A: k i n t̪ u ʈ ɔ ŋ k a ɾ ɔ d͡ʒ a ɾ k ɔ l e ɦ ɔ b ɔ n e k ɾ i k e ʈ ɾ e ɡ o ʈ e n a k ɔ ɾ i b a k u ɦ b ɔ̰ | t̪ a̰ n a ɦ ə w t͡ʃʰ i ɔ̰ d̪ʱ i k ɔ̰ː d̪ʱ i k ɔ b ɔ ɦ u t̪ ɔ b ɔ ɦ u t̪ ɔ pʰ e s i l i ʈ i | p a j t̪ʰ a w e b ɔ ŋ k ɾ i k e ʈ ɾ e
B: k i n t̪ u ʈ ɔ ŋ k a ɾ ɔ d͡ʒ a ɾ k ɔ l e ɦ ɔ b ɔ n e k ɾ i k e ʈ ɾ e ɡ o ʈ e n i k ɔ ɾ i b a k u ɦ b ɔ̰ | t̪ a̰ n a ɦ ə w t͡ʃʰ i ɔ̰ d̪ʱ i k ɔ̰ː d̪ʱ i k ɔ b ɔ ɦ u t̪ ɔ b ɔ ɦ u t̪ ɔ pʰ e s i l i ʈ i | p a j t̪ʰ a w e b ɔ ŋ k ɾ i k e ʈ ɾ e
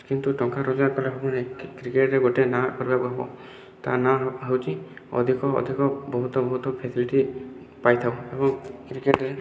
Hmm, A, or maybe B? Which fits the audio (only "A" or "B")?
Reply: A